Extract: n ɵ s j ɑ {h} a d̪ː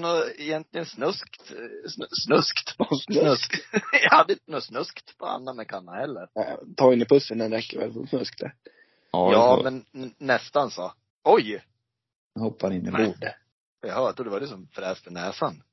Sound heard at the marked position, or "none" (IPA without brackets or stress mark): h